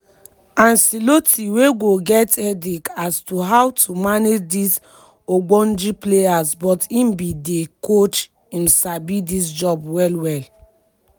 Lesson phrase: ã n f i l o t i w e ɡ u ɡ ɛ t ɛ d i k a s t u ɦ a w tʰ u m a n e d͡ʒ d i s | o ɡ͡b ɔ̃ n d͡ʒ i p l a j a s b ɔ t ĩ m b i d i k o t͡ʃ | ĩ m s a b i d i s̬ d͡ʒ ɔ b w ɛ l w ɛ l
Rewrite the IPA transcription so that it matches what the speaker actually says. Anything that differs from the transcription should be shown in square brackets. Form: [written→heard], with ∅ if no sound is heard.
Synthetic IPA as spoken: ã n [f→s] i l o t i w e ɡ [u→o] ɡ ɛ t ɛ d i k a s t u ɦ a w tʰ u m a n e d͡ʒ d i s | o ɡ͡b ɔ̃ n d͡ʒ i p l [a→e] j a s b ɔ t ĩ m b i d [i→e] k o t͡ʃ | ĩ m s a b i d i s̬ d͡ʒ ɔ b w ɛ l w ɛ l